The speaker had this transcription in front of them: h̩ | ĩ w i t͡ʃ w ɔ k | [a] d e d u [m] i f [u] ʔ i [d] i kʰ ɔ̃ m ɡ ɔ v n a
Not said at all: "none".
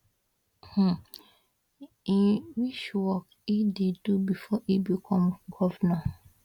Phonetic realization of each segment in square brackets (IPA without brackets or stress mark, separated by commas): i, b, ɔ, b